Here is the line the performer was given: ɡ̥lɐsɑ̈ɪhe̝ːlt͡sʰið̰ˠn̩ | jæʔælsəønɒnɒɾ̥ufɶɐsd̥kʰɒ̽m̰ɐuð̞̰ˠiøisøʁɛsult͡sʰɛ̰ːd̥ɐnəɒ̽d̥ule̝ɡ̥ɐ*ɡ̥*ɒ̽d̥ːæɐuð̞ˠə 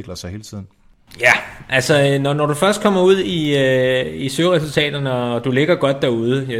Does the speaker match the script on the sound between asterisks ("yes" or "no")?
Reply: yes